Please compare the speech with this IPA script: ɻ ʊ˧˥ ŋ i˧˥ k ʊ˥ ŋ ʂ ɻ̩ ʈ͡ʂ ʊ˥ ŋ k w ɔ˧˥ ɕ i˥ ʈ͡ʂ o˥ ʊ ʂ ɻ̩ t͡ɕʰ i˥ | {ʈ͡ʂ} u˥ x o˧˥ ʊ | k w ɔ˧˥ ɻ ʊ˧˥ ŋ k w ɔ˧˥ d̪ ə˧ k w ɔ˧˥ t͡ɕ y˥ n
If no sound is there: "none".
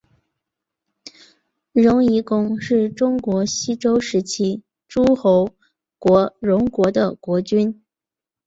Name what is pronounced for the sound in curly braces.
ʈ͡ʂ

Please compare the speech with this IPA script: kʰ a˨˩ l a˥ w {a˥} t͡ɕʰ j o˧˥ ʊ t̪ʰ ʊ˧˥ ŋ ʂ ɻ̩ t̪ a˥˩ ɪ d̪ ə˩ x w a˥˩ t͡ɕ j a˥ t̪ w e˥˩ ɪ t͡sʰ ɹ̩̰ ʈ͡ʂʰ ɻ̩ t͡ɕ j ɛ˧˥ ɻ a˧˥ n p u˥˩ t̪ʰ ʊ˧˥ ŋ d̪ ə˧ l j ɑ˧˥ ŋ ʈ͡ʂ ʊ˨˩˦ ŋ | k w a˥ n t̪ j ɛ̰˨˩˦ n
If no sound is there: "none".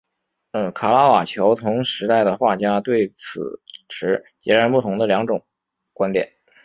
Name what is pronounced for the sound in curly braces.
a˨˩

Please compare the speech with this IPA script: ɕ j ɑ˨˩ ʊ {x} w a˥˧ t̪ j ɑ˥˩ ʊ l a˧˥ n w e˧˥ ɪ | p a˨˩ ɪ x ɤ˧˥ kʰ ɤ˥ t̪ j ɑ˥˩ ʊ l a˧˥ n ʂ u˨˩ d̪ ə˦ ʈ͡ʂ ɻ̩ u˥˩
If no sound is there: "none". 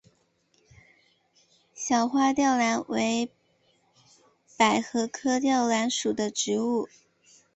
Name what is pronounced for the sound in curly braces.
x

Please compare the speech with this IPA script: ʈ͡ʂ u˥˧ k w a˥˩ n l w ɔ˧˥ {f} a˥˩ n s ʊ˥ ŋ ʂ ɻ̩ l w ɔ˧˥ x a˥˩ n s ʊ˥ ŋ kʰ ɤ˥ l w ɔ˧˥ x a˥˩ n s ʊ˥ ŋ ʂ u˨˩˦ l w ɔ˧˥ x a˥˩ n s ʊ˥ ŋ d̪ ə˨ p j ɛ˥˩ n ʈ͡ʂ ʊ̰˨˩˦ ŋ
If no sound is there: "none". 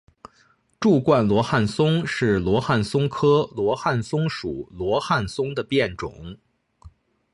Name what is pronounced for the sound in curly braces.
x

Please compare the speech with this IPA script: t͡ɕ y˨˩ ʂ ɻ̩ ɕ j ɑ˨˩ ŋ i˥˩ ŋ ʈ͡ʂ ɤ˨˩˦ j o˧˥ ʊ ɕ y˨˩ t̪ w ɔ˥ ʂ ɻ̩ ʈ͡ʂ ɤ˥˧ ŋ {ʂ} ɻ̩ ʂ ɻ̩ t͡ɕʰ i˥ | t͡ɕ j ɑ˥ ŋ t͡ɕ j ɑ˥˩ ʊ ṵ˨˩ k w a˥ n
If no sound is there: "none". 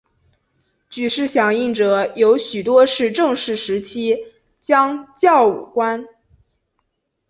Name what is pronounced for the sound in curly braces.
ʂ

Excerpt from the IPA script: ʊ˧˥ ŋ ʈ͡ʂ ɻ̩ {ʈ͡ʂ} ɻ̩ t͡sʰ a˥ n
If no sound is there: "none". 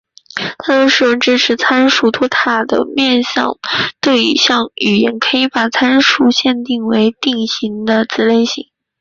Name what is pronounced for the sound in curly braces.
ʈ͡ʂʰ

